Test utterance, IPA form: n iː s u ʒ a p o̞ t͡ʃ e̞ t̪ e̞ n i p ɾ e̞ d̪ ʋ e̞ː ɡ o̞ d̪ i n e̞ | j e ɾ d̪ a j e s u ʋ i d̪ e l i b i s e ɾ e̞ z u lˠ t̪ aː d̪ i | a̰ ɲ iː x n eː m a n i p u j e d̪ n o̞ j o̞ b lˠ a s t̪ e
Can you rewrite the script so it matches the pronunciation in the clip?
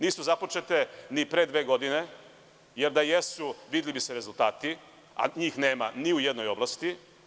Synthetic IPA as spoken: n iː s u z a p o̞ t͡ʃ e̞ t̪ e̞ n i p ɾ e̞ d̪ ʋ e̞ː ɡ o̞ d̪ i n e̞ | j e ɾ d̪ a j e s u ʋ i d̪ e l i b i s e ɾ e̞ z u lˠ t̪ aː t̪ i | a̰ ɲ iː x n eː m a n i u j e d̪ n o̞ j o̞ b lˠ a s t̪ i